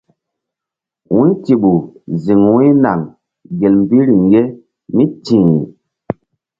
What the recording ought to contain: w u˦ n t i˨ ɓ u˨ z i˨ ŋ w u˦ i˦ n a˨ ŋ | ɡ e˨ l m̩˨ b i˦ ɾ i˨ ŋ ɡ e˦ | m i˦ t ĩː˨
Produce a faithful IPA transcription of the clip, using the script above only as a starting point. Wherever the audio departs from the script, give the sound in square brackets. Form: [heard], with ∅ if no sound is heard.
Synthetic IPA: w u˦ n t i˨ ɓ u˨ z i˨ ŋ w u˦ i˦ n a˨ ŋ | ɡ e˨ l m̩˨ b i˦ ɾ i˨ ŋ ɡ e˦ | m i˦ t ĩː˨